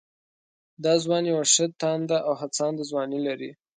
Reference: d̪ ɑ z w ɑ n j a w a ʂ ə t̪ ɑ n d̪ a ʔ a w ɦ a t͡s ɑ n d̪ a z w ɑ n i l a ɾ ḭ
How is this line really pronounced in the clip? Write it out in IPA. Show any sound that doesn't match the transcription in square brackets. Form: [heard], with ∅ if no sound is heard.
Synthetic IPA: d̪ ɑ z w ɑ n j a w a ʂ ə t̪ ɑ n d̪ a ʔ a w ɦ a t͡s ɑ n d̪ a z w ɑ n i l a ɾ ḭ